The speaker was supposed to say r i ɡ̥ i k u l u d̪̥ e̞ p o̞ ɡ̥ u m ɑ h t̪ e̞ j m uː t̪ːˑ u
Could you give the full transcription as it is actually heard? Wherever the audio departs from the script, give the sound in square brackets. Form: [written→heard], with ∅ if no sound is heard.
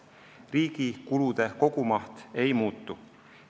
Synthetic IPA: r [i→iː] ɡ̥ i k u l u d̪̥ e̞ [p→k] o̞ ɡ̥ u m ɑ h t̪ e̞ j m uː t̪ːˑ u